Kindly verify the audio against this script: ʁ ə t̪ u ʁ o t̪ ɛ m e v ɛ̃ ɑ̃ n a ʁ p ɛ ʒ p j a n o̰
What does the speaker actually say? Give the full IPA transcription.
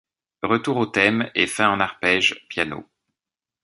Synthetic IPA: ʁ ə t̪ u ʁ o t̪ ɛ m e f ɛ̃ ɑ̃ n a ʁ p ɛ ʒ p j a n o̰